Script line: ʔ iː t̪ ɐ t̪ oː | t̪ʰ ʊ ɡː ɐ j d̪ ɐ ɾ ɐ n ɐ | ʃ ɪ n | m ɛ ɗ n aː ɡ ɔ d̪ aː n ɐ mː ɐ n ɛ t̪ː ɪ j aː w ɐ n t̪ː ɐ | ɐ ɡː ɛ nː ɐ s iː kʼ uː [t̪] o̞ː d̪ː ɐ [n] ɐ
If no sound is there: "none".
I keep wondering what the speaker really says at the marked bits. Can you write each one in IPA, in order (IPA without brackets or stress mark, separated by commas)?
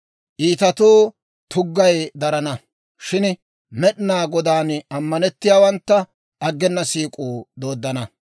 d̪, n